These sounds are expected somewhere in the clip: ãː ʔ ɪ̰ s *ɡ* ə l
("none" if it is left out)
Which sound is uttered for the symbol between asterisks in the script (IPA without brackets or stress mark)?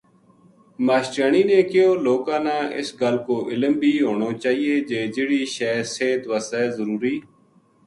ɡ